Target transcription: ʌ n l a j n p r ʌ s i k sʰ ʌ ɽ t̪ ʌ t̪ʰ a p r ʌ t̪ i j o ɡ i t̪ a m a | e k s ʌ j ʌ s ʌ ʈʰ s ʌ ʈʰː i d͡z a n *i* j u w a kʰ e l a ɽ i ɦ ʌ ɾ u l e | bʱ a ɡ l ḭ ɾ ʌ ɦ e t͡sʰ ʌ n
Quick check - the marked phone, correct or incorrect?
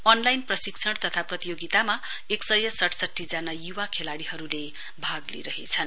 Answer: incorrect